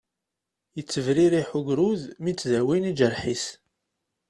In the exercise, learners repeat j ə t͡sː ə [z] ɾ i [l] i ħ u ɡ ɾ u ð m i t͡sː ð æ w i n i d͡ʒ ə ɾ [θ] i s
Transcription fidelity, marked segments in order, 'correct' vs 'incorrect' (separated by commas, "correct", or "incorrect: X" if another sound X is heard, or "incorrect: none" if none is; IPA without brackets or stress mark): incorrect: v, incorrect: ɾ, incorrect: ħ